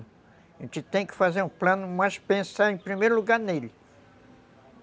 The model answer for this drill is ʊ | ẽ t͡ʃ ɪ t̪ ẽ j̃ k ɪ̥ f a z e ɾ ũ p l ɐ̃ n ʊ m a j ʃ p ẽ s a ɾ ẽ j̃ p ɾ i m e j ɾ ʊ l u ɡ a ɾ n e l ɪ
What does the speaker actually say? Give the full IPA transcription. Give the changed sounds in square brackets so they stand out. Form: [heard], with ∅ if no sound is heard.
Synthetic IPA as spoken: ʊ | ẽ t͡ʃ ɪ t̪ ẽ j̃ k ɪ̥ f a z e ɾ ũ p l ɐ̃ n ʊ m a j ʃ p ẽ s a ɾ ẽ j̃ p ɾ i m e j ɾ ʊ l u ɡ a ɾ n e l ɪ